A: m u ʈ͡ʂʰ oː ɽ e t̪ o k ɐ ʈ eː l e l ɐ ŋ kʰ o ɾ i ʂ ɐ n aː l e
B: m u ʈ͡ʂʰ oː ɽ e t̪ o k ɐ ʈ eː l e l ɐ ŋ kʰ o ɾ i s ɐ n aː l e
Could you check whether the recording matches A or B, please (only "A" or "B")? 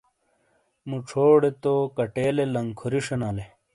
A